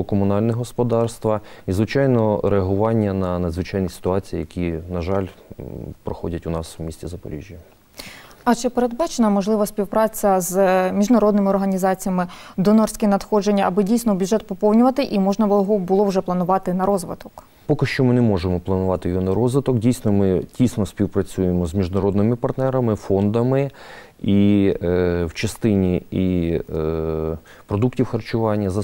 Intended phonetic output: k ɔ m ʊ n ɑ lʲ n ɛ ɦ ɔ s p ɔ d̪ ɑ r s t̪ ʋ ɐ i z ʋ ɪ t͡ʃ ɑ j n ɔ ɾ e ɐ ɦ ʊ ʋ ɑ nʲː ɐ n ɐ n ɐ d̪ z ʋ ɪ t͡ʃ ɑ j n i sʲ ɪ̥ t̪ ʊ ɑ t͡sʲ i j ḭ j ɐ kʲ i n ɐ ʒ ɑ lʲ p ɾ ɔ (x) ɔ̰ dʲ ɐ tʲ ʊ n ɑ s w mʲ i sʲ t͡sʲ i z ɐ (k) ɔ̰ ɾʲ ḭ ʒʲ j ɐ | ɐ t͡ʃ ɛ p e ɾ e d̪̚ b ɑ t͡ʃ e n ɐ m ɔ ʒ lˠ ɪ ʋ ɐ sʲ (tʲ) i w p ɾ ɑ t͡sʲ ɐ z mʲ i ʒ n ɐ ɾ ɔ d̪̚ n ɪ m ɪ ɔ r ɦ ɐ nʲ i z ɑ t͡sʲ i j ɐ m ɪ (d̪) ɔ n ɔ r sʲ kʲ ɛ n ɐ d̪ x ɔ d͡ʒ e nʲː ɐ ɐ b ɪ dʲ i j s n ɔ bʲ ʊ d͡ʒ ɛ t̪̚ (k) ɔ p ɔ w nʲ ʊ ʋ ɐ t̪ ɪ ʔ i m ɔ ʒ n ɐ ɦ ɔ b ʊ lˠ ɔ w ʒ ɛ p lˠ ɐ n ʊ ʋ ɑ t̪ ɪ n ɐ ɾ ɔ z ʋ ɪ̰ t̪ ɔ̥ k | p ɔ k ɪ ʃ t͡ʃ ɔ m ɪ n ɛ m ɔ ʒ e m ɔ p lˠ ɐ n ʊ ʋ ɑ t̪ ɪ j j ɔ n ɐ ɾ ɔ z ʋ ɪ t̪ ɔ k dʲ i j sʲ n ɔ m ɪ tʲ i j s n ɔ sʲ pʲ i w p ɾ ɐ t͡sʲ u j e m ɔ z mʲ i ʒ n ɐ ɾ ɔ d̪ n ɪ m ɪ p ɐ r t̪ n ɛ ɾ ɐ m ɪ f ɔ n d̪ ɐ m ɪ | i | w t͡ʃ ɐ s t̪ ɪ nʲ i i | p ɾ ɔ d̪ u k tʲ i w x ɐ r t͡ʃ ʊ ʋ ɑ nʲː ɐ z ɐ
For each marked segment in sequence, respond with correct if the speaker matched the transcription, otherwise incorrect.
correct, incorrect: p, incorrect: pʲ, correct, incorrect: p

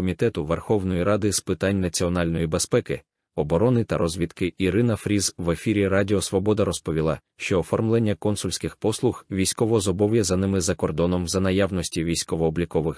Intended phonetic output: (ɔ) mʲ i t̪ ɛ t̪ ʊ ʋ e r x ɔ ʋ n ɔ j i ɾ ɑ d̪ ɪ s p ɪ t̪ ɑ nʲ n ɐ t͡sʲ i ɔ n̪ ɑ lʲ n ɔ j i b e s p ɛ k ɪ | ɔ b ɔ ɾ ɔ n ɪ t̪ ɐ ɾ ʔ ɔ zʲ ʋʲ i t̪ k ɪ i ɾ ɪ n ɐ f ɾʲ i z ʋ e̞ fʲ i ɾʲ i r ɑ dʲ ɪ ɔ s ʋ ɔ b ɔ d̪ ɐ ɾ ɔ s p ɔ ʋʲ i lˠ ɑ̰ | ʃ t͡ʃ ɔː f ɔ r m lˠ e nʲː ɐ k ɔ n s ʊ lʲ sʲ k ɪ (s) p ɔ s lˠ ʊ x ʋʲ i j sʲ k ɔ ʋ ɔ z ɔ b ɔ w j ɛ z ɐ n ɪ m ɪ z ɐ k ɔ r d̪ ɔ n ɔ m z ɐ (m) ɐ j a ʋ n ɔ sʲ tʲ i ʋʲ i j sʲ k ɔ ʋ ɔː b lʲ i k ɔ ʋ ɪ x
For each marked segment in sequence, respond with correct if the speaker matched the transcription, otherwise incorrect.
correct, incorrect: x, incorrect: n

